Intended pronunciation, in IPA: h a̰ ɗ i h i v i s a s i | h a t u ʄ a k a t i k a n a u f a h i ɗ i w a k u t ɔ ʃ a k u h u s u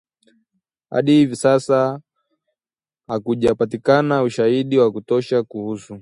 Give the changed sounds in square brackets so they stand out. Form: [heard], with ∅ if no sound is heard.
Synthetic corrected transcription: h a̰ ɗ i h i v i s a s [a] | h a [k] u ʄ a [p] a t i k a n a u [ʃ] a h i ɗ i w a k u t ɔ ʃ a k u h u s u